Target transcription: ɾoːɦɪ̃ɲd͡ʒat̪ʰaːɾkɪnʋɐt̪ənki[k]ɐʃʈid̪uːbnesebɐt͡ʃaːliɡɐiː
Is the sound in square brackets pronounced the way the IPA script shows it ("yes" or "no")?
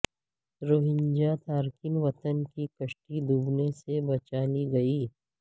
yes